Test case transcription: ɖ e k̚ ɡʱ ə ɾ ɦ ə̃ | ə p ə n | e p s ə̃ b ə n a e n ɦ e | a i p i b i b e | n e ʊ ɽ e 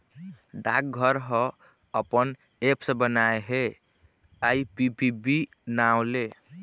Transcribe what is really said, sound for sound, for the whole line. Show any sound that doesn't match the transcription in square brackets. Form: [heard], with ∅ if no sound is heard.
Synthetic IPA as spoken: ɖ [a] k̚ ɡʱ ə ɾ ɦ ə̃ | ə p ə n | e p s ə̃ b ə n a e [∅] ɦ e | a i p i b i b [i] | n [a] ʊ [l] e